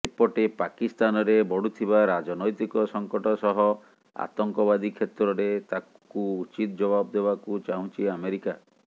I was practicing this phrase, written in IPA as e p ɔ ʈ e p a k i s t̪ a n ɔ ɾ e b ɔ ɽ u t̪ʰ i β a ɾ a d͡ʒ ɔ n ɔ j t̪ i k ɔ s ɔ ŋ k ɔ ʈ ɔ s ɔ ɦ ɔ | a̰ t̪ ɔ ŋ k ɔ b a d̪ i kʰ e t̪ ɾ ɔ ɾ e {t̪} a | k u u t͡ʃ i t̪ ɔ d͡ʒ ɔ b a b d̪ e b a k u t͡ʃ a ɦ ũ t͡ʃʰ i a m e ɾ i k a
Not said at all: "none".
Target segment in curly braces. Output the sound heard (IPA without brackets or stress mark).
t̪